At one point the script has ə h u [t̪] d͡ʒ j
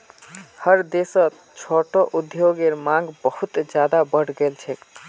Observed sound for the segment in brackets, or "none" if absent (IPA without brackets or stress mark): t̪